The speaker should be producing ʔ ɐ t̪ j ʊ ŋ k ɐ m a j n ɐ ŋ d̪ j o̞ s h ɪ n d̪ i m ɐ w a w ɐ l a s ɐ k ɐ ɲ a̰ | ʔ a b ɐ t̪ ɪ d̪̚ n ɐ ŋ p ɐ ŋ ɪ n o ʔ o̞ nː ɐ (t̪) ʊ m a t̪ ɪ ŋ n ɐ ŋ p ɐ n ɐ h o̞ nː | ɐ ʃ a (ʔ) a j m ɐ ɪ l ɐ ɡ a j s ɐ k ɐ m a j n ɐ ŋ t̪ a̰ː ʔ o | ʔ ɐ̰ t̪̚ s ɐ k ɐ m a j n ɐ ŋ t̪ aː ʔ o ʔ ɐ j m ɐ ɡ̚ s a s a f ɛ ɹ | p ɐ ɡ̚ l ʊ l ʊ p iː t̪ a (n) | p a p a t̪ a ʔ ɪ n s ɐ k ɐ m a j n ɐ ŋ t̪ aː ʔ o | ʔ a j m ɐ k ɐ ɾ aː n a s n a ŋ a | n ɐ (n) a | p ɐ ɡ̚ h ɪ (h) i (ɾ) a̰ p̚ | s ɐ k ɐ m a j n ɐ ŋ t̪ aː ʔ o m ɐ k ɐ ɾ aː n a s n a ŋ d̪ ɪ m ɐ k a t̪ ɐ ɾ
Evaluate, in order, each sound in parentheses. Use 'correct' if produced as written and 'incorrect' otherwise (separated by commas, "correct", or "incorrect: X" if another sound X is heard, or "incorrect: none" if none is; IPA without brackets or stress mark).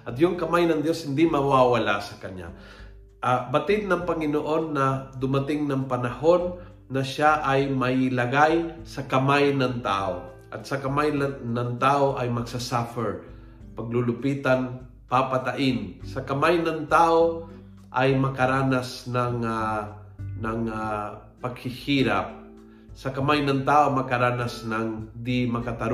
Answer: incorrect: d̪, correct, correct, incorrect: ŋ, correct, correct